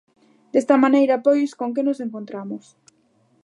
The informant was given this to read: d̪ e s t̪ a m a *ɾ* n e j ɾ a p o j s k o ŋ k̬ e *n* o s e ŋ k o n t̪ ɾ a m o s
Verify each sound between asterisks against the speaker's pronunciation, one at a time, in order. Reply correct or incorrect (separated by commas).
incorrect, correct